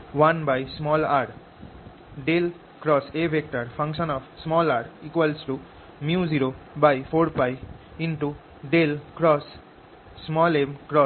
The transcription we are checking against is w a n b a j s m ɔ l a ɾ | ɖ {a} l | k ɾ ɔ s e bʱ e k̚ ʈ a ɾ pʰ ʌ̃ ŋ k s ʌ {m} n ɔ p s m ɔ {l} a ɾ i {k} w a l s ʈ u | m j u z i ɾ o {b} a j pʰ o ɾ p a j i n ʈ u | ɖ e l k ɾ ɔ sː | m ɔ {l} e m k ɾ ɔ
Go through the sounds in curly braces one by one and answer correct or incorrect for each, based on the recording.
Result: incorrect, incorrect, correct, correct, correct, correct

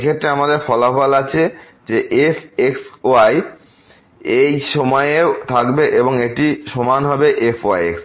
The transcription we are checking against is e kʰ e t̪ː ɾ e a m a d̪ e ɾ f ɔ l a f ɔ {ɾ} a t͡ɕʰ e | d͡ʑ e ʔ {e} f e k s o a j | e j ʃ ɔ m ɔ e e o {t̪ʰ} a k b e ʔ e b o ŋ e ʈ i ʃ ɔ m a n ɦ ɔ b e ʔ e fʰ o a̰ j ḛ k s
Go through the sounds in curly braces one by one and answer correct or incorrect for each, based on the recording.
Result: incorrect, correct, correct

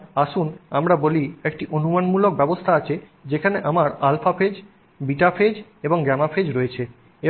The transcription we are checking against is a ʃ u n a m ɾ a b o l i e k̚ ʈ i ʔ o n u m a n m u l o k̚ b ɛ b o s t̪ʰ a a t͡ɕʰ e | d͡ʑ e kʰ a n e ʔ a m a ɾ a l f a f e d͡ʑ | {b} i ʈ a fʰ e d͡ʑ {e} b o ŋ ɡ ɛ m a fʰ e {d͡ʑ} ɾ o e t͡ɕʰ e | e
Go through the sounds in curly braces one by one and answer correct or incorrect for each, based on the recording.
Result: correct, correct, correct

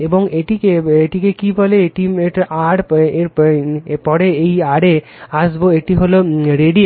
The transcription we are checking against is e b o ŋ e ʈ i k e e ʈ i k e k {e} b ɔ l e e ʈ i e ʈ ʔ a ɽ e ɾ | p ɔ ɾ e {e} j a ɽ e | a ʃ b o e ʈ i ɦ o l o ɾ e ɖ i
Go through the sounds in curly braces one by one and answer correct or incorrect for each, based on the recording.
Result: incorrect, correct

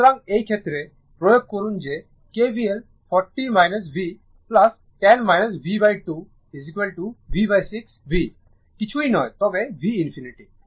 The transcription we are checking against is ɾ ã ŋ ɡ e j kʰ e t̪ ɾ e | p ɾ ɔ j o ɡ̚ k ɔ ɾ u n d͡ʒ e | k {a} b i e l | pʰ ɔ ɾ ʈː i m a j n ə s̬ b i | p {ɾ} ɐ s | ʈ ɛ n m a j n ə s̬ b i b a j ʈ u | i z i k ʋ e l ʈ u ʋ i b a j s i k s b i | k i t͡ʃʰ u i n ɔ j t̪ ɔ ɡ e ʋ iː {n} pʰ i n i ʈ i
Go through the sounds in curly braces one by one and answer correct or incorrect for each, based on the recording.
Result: incorrect, incorrect, correct

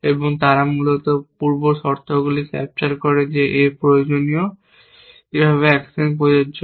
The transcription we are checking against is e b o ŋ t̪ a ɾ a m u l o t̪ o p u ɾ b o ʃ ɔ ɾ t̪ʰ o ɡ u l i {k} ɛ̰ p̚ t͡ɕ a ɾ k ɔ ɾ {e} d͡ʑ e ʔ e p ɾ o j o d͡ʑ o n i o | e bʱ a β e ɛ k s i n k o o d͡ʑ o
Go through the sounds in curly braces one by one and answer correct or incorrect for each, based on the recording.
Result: correct, correct

